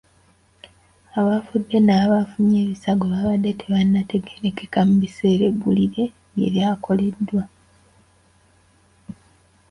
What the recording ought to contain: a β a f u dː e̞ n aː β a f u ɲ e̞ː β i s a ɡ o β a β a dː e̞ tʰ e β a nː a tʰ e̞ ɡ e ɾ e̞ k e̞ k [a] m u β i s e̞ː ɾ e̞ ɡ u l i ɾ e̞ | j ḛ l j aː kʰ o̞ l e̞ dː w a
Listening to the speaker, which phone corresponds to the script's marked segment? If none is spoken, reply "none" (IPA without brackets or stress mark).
a